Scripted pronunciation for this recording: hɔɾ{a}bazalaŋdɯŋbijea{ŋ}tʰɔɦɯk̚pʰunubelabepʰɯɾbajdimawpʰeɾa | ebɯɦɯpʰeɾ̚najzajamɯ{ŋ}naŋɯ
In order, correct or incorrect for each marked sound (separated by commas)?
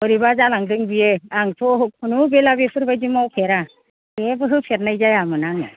incorrect, correct, incorrect